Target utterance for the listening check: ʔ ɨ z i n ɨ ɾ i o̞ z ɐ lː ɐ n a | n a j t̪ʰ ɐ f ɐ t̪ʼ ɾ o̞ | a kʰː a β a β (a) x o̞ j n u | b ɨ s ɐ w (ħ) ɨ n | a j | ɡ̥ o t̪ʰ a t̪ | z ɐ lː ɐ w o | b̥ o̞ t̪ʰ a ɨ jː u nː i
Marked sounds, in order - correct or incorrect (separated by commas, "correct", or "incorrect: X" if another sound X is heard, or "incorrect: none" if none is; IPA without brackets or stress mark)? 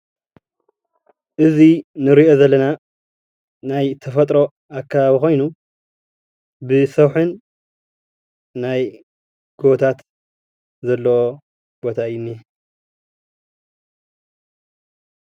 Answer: incorrect: i, correct